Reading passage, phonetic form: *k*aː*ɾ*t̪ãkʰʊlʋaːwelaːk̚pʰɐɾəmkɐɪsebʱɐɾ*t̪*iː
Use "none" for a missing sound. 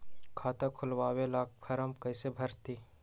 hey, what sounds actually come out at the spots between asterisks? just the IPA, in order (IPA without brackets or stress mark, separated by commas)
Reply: kʰ, none, t̪